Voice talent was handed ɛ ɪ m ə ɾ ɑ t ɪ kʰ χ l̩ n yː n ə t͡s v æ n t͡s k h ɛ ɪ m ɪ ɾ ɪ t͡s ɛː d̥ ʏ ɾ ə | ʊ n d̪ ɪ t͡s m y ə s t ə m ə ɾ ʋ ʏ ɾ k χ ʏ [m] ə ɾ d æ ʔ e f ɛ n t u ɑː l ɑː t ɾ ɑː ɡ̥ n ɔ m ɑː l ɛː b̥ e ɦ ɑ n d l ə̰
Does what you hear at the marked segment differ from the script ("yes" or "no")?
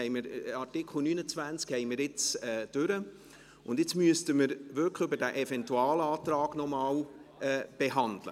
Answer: yes